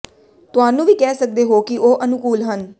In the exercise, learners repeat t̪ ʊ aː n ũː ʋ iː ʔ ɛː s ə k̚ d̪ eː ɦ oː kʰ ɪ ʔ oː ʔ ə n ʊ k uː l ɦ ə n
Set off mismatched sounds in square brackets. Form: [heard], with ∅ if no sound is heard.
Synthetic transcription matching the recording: t̪ ʊ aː n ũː ʋ iː [k] ɛː s ə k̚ d̪ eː ɦ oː [k] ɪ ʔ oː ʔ ə n ʊ k uː l ɦ ə n